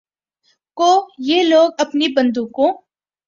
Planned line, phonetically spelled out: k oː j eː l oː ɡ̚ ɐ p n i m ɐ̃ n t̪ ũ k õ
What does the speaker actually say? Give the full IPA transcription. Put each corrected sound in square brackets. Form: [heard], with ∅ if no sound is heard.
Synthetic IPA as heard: k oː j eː l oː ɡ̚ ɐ p n i [b] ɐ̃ n [d̪] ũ k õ